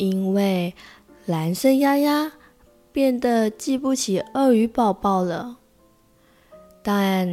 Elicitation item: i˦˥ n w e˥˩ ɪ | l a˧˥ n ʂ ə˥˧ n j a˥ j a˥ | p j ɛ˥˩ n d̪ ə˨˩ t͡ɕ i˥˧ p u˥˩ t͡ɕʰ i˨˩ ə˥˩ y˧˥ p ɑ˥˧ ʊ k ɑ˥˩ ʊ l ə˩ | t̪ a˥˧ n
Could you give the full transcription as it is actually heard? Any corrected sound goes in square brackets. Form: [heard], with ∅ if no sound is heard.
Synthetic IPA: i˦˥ n w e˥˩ ɪ | l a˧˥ n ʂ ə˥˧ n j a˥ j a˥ | p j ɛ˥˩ n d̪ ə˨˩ t͡ɕ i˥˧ p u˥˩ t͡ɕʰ i˨˩ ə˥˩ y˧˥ p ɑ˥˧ ʊ [p] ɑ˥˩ ʊ l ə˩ | t̪ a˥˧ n